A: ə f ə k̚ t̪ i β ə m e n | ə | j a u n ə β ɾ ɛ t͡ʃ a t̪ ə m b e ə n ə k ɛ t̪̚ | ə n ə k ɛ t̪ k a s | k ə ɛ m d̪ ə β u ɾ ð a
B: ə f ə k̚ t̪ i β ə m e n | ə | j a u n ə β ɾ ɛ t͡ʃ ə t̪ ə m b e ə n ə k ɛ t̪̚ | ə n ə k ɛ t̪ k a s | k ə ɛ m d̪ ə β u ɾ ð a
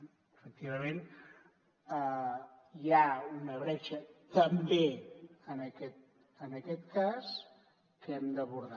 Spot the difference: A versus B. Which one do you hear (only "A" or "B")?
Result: B